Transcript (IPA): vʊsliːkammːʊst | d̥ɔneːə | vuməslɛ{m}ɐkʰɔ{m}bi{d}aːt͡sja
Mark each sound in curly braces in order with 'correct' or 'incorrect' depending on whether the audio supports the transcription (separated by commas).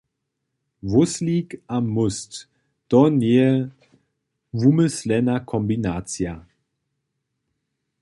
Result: incorrect, correct, incorrect